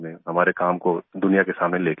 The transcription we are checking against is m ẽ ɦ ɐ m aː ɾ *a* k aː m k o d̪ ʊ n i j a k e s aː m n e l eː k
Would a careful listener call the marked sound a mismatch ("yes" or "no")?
yes